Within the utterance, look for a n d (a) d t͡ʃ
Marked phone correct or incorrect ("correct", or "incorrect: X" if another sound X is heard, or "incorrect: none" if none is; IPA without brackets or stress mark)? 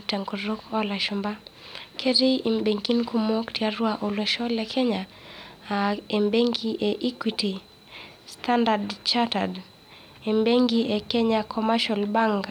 correct